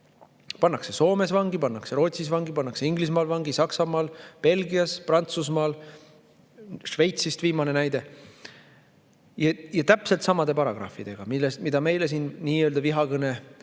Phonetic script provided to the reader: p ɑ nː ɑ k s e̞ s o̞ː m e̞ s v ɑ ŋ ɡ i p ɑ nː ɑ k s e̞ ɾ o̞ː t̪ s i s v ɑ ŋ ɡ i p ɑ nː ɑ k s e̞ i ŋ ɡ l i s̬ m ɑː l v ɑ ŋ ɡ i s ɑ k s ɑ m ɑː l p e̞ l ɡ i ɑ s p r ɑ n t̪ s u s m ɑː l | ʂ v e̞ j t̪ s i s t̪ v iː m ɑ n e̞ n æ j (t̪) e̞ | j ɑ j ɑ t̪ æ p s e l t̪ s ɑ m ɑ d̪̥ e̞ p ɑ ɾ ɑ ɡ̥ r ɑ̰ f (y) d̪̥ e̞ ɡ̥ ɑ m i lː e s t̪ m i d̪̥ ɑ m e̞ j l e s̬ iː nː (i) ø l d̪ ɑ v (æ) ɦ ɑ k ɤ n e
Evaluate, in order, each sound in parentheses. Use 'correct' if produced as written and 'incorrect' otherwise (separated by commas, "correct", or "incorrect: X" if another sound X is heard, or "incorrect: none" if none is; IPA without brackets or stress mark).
incorrect: d̪, incorrect: i, incorrect: iː, incorrect: i